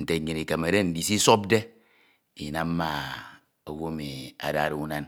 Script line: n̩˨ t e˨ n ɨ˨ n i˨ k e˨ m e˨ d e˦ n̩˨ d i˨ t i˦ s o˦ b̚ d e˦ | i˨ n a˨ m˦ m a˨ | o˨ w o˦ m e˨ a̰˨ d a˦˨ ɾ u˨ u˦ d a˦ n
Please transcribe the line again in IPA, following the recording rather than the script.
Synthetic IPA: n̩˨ t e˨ ɲ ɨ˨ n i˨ k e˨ m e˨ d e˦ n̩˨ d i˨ s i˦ s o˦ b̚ d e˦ | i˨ n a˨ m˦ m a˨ | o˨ w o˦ m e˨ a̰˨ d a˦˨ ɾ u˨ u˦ n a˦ n